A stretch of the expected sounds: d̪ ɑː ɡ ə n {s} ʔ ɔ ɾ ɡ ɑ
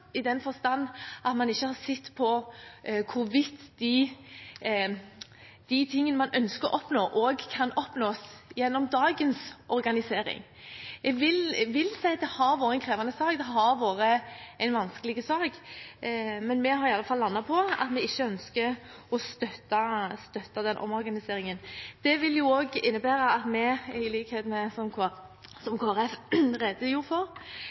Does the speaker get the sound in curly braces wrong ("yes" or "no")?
no